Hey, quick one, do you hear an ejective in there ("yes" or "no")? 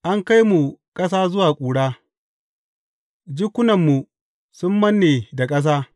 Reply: yes